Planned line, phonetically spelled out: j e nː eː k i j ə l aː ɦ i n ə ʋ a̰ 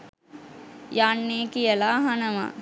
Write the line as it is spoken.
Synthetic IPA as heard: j a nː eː k i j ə l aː ɦ a n ə ʋ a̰